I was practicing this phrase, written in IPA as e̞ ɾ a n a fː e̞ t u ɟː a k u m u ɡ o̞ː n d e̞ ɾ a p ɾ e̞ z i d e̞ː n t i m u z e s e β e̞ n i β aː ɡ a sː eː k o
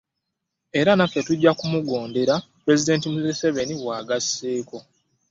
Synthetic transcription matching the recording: e̞ ɾ a n a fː e̞ t u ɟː a k u m u ɡ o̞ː n d e̞ ɾ a p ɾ e̞ z i d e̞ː n t i m u z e s e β e̞ n i w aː ɡ a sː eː k o